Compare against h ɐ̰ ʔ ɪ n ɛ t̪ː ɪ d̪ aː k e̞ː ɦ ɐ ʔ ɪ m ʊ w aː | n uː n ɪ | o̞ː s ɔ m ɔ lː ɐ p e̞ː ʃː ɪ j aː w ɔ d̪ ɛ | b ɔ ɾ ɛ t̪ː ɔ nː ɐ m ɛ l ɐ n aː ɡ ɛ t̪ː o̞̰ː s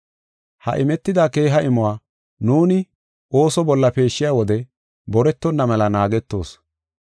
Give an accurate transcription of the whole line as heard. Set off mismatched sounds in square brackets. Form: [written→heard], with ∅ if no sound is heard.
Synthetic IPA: h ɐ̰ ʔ ɪ [n→m] ɛ t̪ː ɪ d̪ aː k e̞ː ɦ ɐ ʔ ɪ m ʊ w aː | n uː n ɪ | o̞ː s ɔ [m→b] ɔ lː ɐ p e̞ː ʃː ɪ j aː w ɔ d̪ ɛ | b ɔ ɾ ɛ t̪ː ɔ nː ɐ m ɛ l ɐ n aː ɡ ɛ t̪ː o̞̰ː s